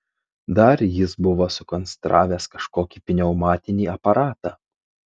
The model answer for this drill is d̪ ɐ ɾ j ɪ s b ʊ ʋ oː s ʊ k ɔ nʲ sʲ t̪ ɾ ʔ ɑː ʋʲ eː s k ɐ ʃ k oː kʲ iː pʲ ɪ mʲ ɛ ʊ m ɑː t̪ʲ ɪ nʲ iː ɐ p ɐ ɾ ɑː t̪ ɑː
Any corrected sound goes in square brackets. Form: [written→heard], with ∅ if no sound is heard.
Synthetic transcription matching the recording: d̪ ɐ ɾ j ɪ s b ʊ ʋ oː s ʊ k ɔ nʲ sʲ t̪ ɾ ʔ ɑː ʋʲ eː s k ɐ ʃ k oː kʲ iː pʲ ɪ [mʲ→nʲ] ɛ ʊ m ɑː t̪ʲ ɪ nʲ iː ɐ p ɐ ɾ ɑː t̪ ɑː